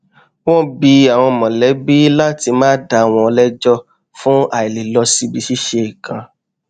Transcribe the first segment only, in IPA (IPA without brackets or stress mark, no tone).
w